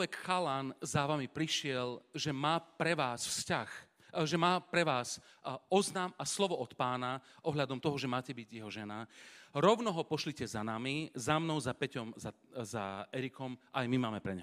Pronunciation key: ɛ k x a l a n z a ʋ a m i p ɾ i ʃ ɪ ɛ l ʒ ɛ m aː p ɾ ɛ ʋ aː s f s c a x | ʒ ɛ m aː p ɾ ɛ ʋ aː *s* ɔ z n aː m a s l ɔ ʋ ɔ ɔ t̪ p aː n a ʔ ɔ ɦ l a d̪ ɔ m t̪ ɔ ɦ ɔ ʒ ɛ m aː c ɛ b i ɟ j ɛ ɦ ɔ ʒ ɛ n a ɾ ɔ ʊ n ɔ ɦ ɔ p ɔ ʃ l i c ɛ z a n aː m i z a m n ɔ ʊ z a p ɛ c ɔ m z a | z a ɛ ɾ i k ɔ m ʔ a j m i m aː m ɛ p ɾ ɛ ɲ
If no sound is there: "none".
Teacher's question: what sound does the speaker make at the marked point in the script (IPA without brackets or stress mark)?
s